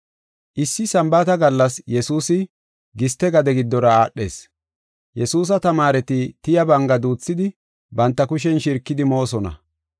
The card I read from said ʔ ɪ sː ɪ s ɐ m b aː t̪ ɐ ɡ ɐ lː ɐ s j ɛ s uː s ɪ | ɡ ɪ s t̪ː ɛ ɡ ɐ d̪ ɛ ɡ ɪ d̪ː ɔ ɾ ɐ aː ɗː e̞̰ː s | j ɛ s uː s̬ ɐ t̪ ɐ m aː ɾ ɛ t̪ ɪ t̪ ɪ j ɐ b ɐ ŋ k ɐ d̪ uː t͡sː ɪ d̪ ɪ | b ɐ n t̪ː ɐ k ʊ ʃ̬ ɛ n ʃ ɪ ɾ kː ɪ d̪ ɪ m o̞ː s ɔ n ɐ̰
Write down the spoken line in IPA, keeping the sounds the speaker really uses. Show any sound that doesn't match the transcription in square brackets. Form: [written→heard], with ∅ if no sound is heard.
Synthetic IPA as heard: ʔ ɪ sː ɪ s ɐ m b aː t̪ ɐ ɡ ɐ lː ɐ s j ɛ s uː s ɪ | ɡ ɪ s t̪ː ɛ ɡ ɐ d̪ ɛ ɡ ɪ d̪ː ɔ ɾ ɐ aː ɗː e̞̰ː s | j ɛ s uː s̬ ɐ t̪ ɐ m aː ɾ ɛ t̪ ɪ t̪ ɪ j ɐ b ɐ ŋ [k→ɡ] ɐ d̪ uː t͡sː ɪ d̪ ɪ | b ɐ n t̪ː ɐ k ʊ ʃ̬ ɛ n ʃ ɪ ɾ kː ɪ d̪ ɪ m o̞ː s ɔ n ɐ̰